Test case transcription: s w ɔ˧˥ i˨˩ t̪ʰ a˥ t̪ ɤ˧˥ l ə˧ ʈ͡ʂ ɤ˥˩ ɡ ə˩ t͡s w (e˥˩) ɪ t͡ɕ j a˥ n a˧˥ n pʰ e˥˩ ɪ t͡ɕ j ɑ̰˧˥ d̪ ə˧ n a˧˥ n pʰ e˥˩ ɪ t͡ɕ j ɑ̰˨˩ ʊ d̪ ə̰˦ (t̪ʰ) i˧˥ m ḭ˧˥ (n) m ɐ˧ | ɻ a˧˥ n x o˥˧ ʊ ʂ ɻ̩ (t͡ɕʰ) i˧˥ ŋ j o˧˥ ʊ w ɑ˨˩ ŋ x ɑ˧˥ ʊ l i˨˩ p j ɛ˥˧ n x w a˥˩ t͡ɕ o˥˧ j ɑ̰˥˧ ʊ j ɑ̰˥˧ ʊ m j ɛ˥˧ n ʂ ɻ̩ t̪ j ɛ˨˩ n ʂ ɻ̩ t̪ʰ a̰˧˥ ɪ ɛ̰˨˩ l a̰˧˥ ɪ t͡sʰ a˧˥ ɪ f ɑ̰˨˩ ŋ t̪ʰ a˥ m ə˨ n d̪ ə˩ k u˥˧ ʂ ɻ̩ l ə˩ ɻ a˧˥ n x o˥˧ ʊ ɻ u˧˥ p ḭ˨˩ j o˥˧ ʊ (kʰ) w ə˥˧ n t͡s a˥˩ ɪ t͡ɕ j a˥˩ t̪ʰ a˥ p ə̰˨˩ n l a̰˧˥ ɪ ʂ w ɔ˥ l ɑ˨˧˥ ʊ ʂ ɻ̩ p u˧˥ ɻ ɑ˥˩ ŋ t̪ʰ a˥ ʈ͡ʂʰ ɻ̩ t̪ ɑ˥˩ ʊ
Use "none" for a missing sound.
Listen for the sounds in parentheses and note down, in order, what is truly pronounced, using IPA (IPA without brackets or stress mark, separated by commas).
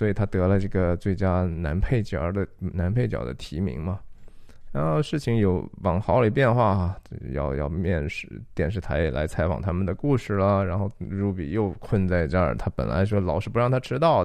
e˥˩, t̪ʰ, ŋ, t͡ɕʰ, kʰ